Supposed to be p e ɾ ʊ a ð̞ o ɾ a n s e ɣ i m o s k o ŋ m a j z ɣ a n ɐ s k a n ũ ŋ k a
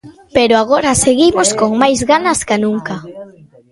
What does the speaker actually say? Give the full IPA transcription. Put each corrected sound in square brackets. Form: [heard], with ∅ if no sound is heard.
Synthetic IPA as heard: p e ɾ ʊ a [ɣ̞] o ɾ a [∅] s e ɣ i m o s k o ŋ m a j z ɣ a n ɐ s k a n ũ ŋ k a